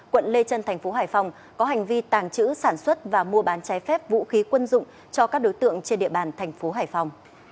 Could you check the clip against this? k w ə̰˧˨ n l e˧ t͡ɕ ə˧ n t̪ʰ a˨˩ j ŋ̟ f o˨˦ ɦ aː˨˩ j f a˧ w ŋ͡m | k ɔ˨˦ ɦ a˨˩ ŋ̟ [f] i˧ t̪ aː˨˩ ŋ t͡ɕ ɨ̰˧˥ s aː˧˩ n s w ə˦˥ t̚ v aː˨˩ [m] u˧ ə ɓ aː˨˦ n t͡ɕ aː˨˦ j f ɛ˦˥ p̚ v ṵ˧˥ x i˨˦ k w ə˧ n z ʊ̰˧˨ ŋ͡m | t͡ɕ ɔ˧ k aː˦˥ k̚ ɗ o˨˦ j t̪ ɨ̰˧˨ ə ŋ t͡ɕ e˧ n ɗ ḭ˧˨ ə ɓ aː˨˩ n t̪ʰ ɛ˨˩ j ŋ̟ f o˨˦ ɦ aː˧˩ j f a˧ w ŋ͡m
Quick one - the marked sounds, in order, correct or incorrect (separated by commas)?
incorrect, correct